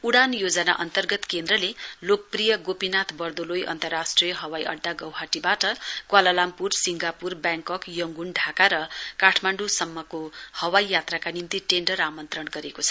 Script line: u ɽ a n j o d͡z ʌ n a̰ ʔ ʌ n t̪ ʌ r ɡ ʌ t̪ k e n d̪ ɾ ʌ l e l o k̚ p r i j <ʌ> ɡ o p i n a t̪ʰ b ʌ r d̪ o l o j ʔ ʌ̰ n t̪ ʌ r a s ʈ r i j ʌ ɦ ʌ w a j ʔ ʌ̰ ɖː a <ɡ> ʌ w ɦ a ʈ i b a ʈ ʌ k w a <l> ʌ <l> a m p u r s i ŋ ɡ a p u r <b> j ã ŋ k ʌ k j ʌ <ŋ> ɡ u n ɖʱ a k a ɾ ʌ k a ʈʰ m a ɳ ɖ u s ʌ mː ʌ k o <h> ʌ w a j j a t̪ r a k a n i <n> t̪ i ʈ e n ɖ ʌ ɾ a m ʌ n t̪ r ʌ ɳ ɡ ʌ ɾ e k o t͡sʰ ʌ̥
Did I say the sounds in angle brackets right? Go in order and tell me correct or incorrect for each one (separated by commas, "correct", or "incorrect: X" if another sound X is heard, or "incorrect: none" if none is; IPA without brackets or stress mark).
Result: correct, correct, correct, correct, correct, correct, correct, incorrect: m